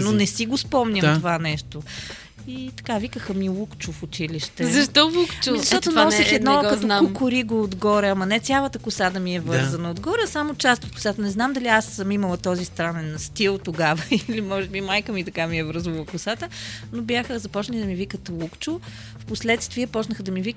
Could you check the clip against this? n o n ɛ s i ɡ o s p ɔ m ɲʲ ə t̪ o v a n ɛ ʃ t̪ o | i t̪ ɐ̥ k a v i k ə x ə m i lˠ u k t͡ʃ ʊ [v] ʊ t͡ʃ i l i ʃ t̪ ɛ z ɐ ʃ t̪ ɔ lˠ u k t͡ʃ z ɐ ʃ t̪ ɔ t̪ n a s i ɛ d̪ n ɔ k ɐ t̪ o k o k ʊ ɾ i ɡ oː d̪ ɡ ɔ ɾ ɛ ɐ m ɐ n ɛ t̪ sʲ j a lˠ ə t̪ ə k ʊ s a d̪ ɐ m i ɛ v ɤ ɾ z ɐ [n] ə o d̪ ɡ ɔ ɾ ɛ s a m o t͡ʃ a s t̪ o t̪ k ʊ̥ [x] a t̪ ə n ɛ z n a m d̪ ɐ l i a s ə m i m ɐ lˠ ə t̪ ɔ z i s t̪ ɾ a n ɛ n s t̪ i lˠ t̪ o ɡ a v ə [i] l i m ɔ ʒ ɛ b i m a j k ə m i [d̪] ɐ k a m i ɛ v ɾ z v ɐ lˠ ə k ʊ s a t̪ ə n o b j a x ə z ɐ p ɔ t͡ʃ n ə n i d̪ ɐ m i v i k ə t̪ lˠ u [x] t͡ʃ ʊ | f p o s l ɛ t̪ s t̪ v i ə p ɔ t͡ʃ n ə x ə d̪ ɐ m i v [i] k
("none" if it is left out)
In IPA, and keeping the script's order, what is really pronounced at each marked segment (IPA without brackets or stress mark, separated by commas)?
f, n, s, i, t̪, k, i